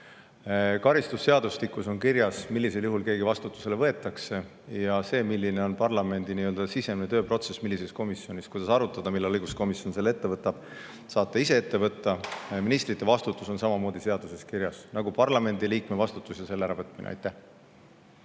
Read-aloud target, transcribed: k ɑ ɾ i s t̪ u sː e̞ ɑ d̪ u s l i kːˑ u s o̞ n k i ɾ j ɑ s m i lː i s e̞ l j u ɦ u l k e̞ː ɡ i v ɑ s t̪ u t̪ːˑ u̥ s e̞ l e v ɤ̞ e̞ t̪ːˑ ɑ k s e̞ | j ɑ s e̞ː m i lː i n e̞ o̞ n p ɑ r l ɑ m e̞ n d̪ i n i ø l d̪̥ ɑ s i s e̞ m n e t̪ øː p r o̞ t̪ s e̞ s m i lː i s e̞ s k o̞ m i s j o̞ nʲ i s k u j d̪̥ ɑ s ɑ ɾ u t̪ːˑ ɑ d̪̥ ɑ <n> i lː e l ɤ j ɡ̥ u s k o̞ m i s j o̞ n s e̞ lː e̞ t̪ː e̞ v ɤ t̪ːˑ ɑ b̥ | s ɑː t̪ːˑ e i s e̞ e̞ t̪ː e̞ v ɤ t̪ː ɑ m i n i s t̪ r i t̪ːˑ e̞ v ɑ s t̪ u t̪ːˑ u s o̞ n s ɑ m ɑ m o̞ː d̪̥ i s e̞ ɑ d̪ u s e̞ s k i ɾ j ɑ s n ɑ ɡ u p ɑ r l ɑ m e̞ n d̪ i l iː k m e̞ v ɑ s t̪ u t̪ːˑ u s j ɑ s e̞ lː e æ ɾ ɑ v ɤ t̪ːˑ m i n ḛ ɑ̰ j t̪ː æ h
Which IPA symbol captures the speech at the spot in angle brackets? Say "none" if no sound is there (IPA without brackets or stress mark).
m